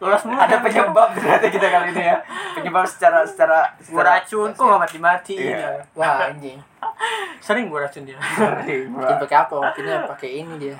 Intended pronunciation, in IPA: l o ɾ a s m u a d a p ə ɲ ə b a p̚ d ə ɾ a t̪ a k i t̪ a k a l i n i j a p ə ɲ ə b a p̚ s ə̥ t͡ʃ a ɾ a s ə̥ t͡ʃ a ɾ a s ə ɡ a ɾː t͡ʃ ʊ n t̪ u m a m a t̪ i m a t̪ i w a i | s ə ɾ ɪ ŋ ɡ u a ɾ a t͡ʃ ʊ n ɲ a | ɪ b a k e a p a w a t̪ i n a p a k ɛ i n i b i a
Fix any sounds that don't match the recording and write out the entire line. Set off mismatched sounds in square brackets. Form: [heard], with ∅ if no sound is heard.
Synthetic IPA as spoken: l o [l] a s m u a d a p ə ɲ ə b a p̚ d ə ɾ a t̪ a k i t̪ a k a l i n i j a p ə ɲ ə b a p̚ s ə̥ t͡ʃ a ɾ a s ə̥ t͡ʃ a ɾ a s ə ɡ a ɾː t͡ʃ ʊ n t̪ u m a m a t̪ i m a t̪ i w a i | s ə ɾ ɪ ŋ ɡ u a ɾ a t͡ʃ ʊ n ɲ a | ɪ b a k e a p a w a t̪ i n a p a k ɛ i n i [d] i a